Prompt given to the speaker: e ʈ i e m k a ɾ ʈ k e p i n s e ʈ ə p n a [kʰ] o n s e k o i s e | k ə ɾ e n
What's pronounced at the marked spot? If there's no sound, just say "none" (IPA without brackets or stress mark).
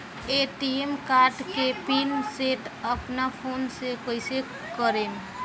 pʰ